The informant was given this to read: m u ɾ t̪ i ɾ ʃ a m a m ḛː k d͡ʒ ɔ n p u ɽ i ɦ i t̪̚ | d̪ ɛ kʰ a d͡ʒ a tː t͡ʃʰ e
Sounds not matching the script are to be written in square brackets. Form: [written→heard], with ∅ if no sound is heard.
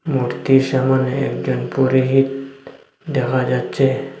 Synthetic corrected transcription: m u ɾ t̪ i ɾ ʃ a m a [m→n] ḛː k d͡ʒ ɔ n p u [ɽ→ɾ] i ɦ i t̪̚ | d̪ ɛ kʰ a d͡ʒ a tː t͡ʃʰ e

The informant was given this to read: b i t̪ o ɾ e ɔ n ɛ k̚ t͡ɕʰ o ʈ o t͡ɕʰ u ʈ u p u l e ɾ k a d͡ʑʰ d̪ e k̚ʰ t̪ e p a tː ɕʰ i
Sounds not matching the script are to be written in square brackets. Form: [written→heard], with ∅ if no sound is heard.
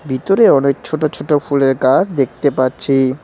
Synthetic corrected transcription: b i t̪ o ɾ e ɔ n [ɛ→e] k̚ t͡ɕʰ o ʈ o t͡ɕʰ [u→o] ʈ [u→o] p u l e ɾ k a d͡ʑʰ d̪ e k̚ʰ t̪ e p a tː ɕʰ i

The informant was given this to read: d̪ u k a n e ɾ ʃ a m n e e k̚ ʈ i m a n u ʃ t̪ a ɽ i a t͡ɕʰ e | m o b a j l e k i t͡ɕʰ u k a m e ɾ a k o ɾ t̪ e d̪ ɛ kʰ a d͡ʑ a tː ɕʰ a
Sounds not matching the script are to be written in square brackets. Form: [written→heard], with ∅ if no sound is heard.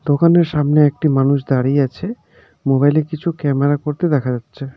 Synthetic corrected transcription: d̪ [u→o] k a n e ɾ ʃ a m n e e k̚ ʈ i m a n u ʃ [t̪→d̪] a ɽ i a t͡ɕʰ e | m o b a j l e k i t͡ɕʰ u k [a→ɛ] m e ɾ a k o ɾ t̪ e d̪ ɛ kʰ a d͡ʑ a tː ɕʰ [a→e]

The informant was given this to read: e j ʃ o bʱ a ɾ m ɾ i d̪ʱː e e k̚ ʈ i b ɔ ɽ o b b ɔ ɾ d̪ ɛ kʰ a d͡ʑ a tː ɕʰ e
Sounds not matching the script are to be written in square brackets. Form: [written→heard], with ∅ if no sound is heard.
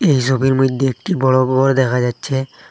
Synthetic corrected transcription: e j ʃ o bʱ [a→i] ɾ m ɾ i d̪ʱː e e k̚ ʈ i b ɔ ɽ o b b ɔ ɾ d̪ ɛ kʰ a d͡ʑ a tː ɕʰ e

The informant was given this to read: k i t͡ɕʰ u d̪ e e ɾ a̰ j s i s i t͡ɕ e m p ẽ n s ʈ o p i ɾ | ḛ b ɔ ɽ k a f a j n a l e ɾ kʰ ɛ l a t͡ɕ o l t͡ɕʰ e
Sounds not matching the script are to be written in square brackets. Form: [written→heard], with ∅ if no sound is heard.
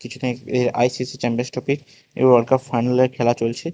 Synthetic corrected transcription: k i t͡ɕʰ u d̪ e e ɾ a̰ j s i s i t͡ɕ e m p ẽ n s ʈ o p i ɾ | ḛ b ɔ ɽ k a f a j n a l e ɾ kʰ ɛ l a t͡ɕ o l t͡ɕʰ e

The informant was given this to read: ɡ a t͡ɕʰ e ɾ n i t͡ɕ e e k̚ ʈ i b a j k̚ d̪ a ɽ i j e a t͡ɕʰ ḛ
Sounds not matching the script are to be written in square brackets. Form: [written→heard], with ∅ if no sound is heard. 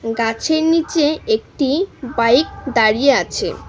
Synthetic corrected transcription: ɡ a t͡ɕʰ e ɾ n i t͡ɕ e e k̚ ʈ i b a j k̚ d̪ a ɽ i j e a t͡ɕʰ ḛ

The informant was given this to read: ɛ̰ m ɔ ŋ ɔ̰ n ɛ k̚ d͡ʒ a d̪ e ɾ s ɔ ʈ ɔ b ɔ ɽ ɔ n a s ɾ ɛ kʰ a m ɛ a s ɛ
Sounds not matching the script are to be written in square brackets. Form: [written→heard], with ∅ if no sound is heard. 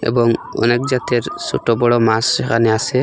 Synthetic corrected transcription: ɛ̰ [m→b] ɔ ŋ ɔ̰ n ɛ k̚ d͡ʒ a [d̪→t̪] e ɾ s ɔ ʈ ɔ b ɔ ɽ ɔ [n→m] a s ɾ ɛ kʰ a [m→n] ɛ a s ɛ

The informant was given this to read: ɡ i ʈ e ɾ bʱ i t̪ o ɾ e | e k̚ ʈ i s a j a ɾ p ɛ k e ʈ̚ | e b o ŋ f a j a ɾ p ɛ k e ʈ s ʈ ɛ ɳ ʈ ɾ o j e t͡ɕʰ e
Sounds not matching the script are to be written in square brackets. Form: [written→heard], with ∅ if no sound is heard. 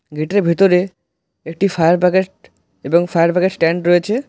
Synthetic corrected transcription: ɡ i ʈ e ɾ bʱ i t̪ o ɾ e | e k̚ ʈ i [s→f] a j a ɾ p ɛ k e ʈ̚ | e b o ŋ f a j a ɾ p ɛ k e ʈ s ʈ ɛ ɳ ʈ ɾ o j e t͡ɕʰ e

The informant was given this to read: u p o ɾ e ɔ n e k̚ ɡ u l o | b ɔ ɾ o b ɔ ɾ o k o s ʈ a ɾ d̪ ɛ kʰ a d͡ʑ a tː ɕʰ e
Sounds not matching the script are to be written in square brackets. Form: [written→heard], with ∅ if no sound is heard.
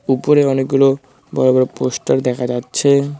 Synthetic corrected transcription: u p o ɾ e ɔ n e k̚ ɡ u l o | b ɔ ɾ o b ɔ ɾ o [k→p] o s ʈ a ɾ d̪ ɛ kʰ a d͡ʑ a tː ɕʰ e

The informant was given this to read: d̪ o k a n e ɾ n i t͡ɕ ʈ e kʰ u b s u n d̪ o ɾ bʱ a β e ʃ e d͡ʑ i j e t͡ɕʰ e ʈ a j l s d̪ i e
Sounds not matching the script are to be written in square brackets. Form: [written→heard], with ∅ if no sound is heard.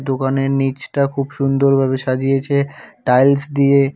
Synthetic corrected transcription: d̪ o k a n e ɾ n i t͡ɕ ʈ [e→a] kʰ u b [s→ʃ] u n d̪ o ɾ bʱ a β e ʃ [e→a] d͡ʑ i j e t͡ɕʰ e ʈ a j l s d̪ i e

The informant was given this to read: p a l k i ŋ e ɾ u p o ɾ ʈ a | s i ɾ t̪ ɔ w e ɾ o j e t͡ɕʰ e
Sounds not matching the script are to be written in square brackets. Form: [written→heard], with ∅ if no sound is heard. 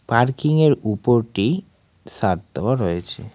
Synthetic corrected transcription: p a [l→ɾ] k i ŋ e ɾ u p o ɾ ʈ [a→i] | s [i→a] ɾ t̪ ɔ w [e→a] ɾ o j e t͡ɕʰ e

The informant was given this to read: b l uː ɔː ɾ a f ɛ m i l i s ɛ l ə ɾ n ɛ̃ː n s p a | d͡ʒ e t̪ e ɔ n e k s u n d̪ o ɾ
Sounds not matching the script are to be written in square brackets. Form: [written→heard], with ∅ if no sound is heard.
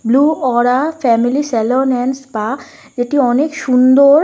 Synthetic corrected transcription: b l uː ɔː ɾ a f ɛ m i l i s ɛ l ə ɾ n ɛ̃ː n s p a | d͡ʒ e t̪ [e→i] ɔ n e k [s→ʃ] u n d̪ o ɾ

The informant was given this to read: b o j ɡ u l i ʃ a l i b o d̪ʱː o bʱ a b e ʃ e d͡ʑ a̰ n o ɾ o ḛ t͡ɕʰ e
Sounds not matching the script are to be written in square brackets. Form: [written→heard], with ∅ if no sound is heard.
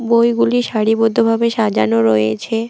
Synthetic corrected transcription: b o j ɡ u l i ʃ a [l→ɽ] i b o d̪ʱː o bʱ a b e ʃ [e→a] d͡ʑ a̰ n o ɾ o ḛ t͡ɕʰ e

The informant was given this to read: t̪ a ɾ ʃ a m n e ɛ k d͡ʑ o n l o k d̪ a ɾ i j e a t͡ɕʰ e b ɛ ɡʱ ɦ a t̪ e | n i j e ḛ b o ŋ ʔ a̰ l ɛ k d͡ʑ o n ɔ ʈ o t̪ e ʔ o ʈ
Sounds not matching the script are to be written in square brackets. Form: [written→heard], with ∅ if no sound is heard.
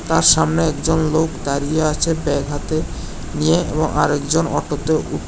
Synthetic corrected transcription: t̪ a ɾ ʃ a m n e ɛ k d͡ʑ o n l o k d̪ a ɾ i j e a t͡ɕʰ e b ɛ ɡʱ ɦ a t̪ e | n i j e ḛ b o ŋ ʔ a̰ [l→ɾ] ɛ k d͡ʑ o n ɔ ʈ o t̪ e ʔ [o→u] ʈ

